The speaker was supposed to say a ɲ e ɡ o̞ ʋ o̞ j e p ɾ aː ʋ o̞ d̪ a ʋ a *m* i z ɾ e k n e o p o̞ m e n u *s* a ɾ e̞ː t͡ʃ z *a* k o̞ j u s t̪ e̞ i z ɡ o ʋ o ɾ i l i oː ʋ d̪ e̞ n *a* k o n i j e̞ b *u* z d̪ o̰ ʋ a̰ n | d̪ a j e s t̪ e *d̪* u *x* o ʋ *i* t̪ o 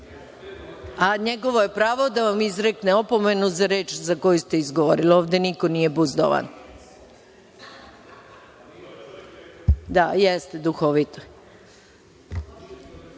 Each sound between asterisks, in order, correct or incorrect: correct, incorrect, correct, incorrect, correct, correct, correct, correct

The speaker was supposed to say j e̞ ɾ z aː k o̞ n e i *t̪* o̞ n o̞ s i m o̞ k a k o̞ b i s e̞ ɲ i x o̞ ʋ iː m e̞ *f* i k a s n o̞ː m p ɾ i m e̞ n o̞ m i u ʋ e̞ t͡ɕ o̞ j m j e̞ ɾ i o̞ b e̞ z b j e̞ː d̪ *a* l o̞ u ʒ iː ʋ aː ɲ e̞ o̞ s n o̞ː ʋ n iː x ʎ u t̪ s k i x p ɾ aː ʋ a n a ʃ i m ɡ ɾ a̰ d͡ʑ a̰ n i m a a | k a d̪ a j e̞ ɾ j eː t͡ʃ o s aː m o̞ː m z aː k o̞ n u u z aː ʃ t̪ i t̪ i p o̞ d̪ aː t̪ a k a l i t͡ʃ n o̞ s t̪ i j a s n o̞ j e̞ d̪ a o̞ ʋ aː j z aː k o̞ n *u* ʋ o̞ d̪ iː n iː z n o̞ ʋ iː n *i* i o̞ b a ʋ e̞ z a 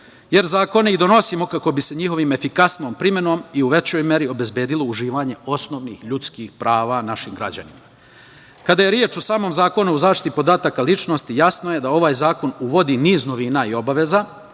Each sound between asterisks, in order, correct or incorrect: incorrect, correct, incorrect, correct, incorrect

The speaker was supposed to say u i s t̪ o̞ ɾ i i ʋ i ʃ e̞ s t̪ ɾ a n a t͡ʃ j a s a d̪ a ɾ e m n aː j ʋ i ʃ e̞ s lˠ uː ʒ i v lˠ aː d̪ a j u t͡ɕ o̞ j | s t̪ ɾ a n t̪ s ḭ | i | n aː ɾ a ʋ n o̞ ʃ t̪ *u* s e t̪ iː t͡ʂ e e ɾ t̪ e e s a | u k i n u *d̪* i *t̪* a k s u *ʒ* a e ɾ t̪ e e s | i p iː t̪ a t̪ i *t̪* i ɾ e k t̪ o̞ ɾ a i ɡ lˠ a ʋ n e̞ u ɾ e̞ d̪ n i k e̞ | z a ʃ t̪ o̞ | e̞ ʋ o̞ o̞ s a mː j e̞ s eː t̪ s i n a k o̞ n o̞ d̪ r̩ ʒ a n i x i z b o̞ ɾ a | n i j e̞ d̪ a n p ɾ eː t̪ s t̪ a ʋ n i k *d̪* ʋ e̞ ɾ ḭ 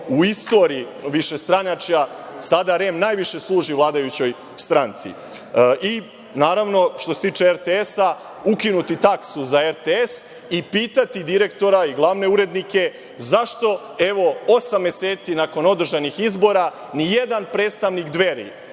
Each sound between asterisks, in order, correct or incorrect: incorrect, incorrect, correct, incorrect, incorrect, correct

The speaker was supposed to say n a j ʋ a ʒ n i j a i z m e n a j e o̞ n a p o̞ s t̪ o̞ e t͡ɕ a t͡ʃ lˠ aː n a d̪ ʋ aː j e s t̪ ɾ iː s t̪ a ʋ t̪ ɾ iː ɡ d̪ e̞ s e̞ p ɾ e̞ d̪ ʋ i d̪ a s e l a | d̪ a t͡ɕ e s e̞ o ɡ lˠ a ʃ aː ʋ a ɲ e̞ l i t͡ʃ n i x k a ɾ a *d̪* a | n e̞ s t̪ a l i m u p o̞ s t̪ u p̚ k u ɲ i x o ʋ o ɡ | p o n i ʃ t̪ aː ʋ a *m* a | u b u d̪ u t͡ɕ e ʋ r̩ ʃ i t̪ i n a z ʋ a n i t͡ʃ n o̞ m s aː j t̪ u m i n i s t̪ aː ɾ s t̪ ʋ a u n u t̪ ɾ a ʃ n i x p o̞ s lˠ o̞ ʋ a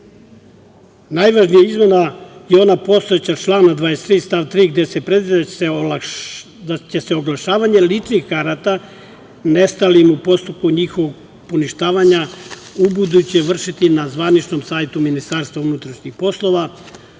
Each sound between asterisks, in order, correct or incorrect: incorrect, incorrect

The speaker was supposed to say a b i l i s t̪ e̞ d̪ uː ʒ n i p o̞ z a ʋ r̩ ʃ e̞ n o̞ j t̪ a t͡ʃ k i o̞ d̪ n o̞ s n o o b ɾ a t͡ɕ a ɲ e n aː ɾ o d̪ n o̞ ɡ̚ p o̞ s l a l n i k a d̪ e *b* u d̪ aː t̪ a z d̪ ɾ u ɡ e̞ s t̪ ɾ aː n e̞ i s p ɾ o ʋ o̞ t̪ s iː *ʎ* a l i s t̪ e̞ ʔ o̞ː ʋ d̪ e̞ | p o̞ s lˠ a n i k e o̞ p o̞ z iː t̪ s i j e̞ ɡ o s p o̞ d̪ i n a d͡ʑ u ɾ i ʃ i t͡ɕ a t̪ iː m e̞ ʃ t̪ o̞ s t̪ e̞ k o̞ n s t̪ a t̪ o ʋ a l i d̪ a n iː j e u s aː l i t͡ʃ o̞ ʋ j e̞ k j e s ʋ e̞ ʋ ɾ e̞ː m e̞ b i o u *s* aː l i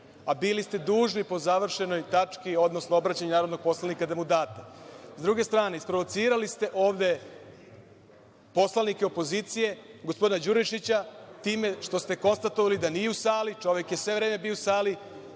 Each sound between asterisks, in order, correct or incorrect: incorrect, incorrect, correct

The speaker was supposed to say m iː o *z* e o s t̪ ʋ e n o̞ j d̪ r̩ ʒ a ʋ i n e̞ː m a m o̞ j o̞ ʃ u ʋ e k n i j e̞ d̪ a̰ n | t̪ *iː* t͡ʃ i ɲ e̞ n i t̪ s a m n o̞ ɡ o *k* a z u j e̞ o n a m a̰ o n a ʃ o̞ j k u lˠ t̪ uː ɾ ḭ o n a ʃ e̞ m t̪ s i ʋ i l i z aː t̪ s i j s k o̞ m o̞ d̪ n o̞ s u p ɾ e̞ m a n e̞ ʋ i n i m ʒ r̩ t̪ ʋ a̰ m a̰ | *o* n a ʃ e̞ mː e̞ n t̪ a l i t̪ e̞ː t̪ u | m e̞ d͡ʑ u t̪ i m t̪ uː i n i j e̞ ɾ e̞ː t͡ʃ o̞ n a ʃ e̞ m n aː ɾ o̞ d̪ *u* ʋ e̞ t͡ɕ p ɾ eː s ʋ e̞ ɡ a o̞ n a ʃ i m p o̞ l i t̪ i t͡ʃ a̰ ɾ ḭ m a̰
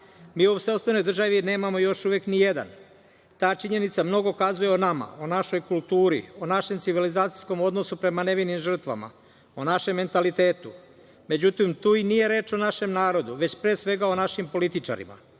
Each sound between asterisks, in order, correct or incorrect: incorrect, incorrect, correct, correct, correct

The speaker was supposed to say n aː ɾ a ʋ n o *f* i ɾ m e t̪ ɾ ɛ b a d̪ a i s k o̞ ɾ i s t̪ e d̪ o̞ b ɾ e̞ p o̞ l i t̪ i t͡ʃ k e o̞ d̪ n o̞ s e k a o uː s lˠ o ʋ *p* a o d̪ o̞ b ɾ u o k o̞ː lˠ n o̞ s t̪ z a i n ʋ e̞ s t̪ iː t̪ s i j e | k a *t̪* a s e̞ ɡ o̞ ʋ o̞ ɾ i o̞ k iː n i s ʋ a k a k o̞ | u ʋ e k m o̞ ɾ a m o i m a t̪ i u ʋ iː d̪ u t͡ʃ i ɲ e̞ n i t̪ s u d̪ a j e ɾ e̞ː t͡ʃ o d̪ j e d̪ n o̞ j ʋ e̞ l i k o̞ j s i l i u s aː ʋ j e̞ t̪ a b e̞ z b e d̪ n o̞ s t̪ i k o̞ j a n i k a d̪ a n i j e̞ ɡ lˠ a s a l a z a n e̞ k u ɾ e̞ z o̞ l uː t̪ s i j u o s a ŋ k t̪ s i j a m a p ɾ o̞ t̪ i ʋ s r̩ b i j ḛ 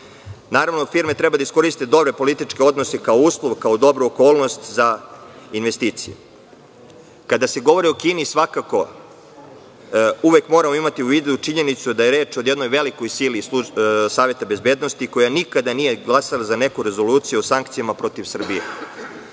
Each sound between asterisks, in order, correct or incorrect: correct, incorrect, incorrect

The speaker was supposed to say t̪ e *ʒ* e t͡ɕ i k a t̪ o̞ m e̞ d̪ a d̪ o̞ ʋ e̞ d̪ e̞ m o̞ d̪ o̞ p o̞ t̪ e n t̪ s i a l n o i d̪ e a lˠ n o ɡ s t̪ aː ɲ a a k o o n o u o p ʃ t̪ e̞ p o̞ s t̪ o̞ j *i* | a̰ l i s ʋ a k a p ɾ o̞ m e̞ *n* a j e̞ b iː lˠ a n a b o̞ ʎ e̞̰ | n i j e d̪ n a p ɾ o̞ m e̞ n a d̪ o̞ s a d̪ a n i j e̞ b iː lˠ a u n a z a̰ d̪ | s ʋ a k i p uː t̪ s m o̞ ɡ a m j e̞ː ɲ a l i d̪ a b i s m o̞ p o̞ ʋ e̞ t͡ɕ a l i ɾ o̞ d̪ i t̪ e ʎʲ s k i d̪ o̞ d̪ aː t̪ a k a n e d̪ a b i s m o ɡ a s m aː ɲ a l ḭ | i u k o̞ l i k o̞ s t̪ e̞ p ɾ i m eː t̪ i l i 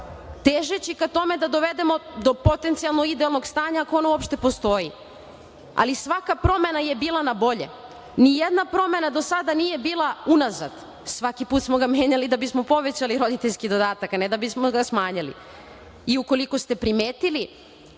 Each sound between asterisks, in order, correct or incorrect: correct, correct, correct

